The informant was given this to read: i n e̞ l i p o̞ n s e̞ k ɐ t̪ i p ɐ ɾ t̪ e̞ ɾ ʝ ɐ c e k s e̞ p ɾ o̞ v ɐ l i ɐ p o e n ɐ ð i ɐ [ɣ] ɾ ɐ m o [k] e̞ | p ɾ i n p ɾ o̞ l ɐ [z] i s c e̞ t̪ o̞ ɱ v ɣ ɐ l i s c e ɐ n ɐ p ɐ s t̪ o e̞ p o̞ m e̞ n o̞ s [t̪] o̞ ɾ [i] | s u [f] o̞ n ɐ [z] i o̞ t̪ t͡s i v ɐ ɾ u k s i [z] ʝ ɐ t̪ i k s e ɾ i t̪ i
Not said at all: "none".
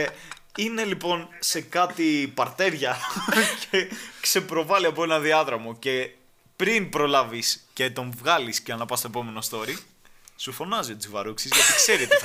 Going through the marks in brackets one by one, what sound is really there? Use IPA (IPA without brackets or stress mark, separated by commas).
ð, c, v, t̪, i, f, z, z